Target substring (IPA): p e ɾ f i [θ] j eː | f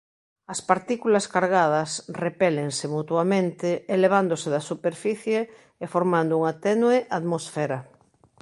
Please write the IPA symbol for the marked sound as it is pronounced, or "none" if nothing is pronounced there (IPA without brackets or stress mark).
θ